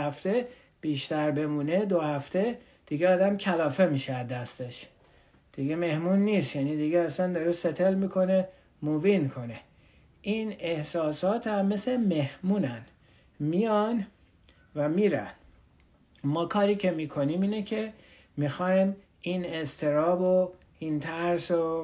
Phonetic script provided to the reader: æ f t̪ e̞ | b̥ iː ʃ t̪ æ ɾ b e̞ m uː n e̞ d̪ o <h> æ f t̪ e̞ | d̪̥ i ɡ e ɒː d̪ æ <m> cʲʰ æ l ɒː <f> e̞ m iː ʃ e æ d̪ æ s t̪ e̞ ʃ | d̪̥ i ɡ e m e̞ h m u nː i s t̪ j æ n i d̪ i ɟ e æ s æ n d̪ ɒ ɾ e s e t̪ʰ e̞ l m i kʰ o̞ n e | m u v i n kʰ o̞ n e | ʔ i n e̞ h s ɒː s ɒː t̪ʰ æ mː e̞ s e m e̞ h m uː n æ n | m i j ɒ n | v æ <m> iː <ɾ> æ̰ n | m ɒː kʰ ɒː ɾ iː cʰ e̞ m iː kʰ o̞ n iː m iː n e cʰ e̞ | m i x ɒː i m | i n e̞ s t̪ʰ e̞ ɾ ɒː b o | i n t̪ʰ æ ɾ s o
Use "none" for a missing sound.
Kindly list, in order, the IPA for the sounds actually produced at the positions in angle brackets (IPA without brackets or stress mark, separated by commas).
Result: h, m, f, m, ɾ